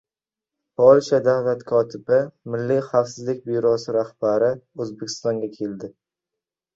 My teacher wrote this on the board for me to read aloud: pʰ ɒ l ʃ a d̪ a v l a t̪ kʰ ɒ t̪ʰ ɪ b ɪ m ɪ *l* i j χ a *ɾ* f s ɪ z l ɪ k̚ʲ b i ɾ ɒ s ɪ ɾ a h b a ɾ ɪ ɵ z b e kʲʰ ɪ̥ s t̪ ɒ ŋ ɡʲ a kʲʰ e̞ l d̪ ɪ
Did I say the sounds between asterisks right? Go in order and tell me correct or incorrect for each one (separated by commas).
incorrect, incorrect